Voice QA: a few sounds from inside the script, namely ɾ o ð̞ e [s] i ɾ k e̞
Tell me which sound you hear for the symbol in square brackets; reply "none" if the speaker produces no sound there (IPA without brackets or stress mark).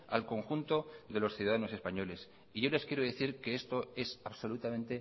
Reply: θ